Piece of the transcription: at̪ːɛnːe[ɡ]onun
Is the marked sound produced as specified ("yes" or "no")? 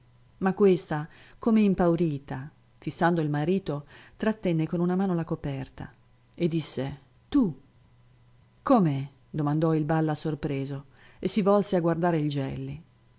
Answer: no